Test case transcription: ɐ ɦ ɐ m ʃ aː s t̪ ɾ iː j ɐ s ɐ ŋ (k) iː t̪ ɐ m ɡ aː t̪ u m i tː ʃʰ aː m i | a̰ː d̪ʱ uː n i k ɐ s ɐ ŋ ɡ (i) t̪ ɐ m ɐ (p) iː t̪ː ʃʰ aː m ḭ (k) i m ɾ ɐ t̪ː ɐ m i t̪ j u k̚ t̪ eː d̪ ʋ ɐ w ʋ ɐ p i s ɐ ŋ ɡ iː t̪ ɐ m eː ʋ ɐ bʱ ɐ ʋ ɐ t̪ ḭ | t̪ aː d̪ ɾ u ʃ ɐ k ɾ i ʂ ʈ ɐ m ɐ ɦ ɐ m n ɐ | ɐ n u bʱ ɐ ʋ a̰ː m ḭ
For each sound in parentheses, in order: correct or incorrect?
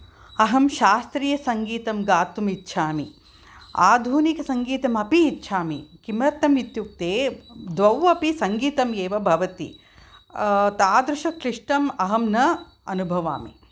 incorrect: ɡ, incorrect: iː, correct, correct

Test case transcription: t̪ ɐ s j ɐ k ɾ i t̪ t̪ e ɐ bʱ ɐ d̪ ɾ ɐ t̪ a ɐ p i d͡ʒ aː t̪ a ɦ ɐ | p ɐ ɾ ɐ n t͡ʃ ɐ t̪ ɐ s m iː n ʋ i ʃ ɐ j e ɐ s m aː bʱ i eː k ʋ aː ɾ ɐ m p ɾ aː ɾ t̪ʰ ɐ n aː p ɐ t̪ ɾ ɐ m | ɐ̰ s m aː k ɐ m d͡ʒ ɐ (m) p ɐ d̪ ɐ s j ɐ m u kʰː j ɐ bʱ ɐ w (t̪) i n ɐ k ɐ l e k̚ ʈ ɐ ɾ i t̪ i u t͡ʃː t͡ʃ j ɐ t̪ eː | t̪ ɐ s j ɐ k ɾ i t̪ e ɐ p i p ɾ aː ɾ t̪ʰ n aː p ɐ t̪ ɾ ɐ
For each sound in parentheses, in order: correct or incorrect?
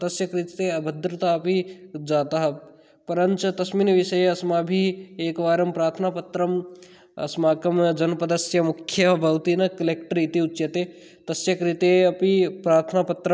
incorrect: n, correct

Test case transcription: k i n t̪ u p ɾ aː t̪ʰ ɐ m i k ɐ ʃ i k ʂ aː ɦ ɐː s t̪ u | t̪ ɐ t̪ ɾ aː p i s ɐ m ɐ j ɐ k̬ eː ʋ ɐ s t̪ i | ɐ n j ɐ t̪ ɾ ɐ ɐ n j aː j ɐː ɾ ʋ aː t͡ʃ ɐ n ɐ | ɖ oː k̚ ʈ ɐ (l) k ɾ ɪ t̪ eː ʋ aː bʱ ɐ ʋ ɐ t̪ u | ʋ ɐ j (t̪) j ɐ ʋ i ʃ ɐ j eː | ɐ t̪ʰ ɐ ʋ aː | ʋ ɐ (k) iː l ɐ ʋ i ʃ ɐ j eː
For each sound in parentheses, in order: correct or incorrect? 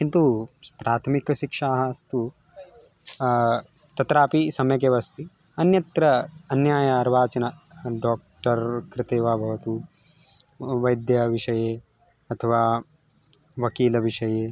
incorrect: ɾ, incorrect: d̪, correct

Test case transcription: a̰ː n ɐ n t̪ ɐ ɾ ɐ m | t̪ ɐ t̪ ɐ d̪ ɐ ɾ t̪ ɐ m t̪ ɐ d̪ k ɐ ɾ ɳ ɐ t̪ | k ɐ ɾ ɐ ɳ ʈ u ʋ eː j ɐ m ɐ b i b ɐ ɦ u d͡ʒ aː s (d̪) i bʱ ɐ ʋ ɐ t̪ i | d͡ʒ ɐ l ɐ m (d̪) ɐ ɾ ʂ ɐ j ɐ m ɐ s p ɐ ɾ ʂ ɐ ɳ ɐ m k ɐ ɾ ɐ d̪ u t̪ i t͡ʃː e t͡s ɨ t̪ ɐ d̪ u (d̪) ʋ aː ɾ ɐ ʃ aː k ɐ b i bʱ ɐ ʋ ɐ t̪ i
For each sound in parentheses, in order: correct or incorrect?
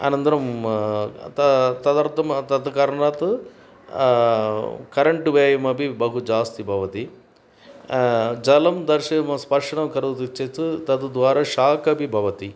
incorrect: t̪, correct, correct

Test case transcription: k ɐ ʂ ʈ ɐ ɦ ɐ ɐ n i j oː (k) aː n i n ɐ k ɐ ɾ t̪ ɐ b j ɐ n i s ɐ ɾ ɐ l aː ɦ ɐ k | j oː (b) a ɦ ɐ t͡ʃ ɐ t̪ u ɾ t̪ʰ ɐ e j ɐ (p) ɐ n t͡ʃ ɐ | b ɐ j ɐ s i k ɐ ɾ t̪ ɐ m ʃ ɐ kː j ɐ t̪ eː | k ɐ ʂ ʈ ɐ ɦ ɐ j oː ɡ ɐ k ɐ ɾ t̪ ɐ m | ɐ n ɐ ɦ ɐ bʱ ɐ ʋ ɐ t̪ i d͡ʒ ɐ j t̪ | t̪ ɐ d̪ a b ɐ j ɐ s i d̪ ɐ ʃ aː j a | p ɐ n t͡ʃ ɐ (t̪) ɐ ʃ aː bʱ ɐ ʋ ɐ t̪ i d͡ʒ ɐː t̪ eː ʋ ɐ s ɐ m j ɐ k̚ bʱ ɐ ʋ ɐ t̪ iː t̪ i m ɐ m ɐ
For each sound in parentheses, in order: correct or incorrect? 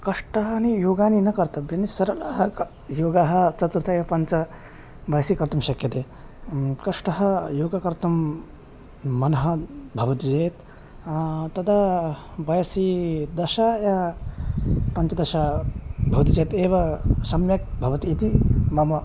incorrect: ɡ, incorrect: ɡ, correct, incorrect: d̪

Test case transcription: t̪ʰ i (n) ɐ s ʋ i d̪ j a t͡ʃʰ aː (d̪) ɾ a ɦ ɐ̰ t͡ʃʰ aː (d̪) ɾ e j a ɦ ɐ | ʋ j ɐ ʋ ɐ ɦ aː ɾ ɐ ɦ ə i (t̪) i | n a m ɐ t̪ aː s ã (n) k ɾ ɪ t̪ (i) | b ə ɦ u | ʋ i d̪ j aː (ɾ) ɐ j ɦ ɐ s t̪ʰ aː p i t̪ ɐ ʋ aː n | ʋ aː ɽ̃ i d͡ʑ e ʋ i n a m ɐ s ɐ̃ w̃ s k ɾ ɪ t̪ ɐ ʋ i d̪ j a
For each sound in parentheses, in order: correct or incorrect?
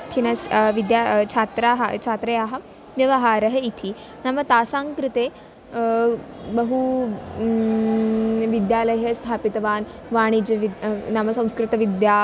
correct, incorrect: t̪, incorrect: t̪, incorrect: t̪ʰ, incorrect: ŋ, incorrect: e, incorrect: l

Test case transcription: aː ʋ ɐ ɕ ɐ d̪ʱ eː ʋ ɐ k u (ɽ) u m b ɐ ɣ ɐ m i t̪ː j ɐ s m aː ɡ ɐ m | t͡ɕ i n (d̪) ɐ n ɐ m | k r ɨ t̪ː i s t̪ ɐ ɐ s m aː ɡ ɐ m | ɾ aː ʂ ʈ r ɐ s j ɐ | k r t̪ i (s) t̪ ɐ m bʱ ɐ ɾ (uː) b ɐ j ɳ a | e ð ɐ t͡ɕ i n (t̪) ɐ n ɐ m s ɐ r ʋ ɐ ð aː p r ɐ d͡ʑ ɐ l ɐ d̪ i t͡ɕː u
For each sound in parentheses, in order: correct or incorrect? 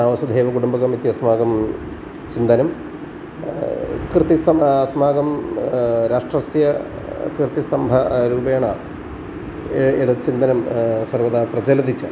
correct, correct, correct, correct, incorrect: d̪

